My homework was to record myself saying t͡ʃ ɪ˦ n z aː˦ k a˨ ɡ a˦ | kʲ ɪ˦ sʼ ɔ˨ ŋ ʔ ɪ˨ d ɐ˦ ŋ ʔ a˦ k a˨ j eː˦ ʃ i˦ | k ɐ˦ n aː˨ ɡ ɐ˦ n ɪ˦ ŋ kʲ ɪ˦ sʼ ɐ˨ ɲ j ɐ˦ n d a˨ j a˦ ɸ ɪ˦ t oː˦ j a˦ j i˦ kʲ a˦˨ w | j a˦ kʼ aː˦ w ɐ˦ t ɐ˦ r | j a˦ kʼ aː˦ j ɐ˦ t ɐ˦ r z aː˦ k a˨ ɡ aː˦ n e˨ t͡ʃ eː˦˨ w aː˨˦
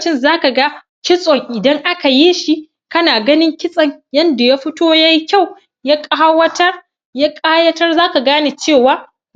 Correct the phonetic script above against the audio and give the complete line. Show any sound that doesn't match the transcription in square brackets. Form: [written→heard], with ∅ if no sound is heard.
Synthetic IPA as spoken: t͡ʃ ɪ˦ n z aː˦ k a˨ ɡ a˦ | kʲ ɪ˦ sʼ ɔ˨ ŋ ʔ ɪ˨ d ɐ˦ ŋ ʔ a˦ k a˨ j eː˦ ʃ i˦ | k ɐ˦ n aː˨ ɡ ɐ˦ n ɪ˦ ŋ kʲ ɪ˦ sʼ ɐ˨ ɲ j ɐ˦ n d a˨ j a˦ ɸ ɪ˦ t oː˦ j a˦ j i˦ kʲ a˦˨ w | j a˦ kʼ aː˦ w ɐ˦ t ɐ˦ r | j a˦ kʼ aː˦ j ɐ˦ t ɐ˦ r z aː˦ k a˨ ɡ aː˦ n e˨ t͡ʃ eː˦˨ w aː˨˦